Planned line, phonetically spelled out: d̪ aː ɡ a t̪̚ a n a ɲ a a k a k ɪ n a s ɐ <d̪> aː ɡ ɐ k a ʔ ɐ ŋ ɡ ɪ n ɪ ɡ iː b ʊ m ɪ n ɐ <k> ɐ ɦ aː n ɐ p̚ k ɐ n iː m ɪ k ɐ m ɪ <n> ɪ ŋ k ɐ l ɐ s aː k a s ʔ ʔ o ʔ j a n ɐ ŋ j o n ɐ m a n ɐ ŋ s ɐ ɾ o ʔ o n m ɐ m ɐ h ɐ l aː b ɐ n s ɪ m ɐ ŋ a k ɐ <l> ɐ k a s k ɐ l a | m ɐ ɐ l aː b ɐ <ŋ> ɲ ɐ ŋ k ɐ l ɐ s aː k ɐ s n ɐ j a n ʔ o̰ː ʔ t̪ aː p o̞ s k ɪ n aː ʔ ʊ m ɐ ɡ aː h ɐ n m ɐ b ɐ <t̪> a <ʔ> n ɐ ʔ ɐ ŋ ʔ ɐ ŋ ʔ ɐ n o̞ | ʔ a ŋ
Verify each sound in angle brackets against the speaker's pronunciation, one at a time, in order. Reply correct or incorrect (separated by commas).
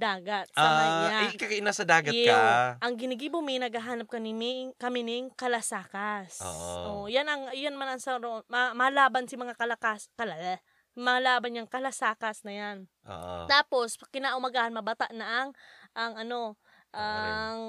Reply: correct, incorrect, correct, correct, incorrect, correct, correct